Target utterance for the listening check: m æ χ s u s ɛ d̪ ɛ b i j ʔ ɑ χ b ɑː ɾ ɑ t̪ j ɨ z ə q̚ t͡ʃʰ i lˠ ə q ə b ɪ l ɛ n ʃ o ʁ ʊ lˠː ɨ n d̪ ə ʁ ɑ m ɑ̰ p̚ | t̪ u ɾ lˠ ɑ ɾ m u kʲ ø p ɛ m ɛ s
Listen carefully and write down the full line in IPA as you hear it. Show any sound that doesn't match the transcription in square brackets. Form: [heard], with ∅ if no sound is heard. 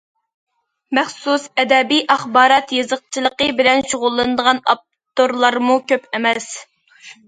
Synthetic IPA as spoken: m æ χ s u s ɛ d̪ ɛ b i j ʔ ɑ χ b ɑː ɾ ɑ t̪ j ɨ z ə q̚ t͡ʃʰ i lˠ ə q ə b ɪ l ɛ n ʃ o ʁ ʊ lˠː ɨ n d̪ ə ʁ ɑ [n] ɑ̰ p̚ | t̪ [o] ɾ lˠ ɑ ɾ m u kʲ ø p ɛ m ɛ s